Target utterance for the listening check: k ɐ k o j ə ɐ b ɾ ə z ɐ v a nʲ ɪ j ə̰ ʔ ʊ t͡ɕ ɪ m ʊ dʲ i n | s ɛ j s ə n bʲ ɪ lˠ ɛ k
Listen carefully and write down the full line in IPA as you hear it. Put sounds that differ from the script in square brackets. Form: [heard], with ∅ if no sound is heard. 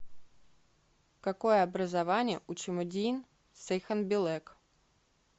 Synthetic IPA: k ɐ k o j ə ɐ b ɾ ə z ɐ v a nʲ ɪ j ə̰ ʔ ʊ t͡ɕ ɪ m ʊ dʲ i n | s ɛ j [x] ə n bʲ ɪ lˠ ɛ k